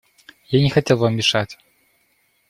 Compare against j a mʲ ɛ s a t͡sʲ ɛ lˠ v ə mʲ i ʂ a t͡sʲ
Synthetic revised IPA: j a nʲ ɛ x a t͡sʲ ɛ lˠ v a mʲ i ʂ a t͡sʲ